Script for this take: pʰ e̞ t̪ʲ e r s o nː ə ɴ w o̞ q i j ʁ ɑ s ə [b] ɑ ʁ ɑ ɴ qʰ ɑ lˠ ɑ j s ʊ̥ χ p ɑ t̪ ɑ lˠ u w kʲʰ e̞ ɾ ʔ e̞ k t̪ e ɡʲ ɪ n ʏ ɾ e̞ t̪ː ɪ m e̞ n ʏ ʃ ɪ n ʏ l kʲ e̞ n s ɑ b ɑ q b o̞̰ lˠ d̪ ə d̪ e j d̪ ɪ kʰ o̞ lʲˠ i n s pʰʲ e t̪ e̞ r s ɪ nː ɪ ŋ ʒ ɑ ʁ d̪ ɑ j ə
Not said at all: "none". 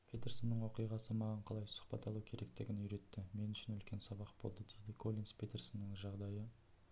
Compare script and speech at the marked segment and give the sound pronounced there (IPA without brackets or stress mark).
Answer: m